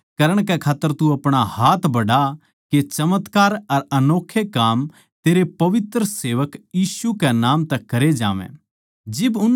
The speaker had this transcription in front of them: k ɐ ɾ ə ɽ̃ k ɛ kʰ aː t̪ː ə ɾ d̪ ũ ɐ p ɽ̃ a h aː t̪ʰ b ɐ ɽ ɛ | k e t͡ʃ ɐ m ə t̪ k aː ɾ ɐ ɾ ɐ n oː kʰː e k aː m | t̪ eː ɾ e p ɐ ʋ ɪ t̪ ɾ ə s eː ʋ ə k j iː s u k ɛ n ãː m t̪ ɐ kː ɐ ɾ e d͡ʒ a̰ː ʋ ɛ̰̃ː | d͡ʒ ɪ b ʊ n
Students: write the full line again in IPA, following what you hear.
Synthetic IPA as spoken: k ɐ ɾ ə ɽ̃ k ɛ kʰ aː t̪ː ə ɾ t̪ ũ ɐ p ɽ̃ a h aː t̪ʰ b ɐ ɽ a | k e t͡ʃ ɐ m ə t̪ k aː ɾ ɐ ɾ ɐ n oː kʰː e k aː m | t̪ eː ɾ e p ɐ ʋ ɪ t̪ ɾ ə s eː ʋ ə k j iː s u k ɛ n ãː m t̪ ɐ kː ɐ ɾ e d͡ʒ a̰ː ʋ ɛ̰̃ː | d͡ʒ ɪ b ʊ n